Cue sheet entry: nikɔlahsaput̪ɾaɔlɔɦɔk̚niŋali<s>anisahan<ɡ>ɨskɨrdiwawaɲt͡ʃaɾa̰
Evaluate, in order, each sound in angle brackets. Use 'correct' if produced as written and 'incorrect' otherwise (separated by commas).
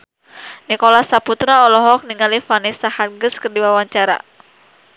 incorrect, correct